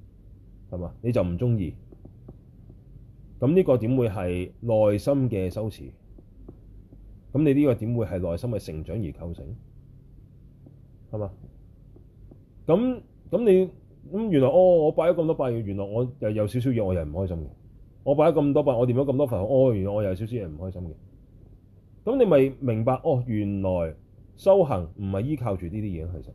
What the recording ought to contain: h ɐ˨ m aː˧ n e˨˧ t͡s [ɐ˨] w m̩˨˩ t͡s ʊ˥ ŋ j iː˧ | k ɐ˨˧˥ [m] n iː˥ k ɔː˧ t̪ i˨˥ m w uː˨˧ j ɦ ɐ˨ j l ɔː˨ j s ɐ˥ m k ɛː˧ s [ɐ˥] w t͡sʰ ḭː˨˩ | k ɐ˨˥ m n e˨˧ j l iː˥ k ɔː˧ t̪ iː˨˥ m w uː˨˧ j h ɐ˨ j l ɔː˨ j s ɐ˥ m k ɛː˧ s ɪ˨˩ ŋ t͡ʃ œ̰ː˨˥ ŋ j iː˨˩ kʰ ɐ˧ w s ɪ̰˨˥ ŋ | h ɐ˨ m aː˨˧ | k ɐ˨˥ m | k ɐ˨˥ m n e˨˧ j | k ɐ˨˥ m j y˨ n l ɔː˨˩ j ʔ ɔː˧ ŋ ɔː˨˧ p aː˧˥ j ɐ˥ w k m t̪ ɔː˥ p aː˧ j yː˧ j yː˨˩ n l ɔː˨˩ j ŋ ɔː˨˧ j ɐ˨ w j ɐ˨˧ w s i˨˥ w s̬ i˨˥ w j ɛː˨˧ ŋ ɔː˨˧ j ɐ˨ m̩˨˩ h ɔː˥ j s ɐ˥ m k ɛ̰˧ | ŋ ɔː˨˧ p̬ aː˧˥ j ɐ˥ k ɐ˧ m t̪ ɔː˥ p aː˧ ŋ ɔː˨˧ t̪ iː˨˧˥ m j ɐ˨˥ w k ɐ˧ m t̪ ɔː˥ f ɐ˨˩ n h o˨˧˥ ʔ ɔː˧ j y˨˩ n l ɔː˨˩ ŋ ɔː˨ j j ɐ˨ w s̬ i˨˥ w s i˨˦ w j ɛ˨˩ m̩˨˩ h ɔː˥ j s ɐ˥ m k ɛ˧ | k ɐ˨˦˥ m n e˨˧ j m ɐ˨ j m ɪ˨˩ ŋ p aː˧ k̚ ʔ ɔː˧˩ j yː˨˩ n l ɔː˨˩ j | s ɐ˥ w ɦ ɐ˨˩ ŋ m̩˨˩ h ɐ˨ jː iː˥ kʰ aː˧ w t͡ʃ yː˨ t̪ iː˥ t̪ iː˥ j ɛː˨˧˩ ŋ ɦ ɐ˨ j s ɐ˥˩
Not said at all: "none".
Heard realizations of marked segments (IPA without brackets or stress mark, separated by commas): ɐ˨, m, ɐ˥